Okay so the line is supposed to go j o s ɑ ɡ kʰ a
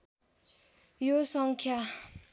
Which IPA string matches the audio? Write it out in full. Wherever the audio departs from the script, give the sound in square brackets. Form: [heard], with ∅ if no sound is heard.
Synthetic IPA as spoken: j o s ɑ [ŋ] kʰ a